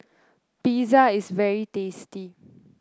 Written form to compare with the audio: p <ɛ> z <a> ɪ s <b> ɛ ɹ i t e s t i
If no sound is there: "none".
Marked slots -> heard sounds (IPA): i, a, v

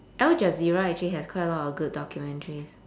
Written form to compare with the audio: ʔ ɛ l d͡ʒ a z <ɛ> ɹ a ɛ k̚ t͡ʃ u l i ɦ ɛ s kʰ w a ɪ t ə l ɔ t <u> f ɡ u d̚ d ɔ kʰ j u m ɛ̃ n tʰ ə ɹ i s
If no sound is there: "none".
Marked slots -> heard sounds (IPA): i, ɔ

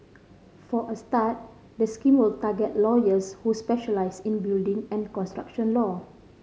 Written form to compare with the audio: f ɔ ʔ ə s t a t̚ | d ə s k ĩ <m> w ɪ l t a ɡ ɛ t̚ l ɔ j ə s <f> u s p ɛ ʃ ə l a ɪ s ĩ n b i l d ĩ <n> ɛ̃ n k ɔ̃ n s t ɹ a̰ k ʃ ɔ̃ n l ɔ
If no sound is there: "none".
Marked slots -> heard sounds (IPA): m, h, ŋ

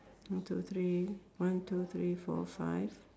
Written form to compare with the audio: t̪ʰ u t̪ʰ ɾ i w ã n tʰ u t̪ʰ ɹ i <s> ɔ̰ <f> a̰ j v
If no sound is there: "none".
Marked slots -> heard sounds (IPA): f, f

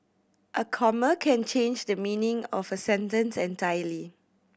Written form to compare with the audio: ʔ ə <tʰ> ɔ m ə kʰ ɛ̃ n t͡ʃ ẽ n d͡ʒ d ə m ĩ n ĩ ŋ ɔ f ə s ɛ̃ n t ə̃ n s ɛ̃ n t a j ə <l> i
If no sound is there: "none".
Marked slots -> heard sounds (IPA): kʰ, l

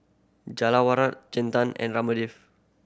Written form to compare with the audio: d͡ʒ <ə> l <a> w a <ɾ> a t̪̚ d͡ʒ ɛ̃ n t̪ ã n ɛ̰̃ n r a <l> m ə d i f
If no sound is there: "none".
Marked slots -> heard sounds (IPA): a, a, ɾ, none

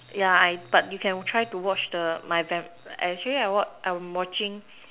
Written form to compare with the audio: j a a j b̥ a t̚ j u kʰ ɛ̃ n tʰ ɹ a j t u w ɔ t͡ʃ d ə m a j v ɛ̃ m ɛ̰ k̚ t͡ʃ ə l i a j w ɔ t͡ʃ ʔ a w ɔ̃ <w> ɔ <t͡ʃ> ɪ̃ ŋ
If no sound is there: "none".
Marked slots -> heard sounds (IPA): w, t͡ʃ

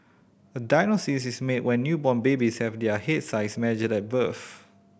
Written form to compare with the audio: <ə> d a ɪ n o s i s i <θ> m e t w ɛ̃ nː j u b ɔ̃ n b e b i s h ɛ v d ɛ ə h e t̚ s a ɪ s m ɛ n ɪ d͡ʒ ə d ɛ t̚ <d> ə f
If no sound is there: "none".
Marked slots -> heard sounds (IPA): ə, s, b

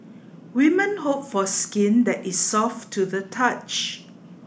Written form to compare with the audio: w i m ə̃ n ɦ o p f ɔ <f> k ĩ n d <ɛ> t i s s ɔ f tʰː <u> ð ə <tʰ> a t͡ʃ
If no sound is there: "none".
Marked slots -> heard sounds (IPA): s, ɛ, u, tʰ

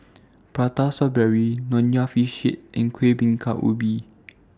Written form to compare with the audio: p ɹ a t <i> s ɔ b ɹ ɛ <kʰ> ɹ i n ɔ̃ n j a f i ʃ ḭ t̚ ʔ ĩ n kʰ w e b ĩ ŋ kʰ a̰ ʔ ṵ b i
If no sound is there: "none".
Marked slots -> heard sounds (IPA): a, none

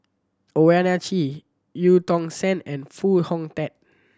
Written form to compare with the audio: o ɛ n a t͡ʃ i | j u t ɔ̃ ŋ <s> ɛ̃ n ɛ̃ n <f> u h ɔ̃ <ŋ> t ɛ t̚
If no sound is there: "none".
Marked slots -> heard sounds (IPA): s, f, ŋ

